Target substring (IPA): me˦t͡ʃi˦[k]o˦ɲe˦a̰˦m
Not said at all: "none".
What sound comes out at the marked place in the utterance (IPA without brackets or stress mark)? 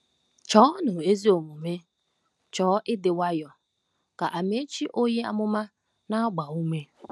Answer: ʔ